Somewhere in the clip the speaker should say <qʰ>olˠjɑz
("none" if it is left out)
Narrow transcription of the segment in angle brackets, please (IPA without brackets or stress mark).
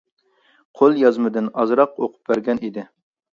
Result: qʰ